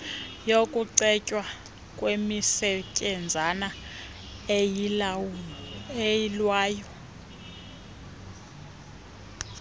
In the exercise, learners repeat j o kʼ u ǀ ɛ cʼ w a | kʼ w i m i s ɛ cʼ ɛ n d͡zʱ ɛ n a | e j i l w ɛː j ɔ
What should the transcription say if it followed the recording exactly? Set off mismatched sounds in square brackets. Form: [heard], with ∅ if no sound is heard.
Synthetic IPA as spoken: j o kʼ u ǀ ɛ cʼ w a | kʼ w [e] m i s ɛ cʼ ɛ n d͡zʱ [a] n a | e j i l w [aː] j ɔ